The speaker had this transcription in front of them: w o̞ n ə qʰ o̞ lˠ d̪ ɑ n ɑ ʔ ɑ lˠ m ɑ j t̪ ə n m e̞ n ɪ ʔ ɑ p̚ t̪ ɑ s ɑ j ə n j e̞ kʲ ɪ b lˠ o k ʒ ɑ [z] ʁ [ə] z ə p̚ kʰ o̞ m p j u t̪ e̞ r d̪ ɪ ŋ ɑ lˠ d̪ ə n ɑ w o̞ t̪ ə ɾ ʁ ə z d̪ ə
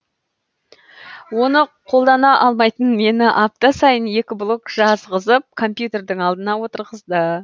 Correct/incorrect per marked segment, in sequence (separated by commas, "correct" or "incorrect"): correct, correct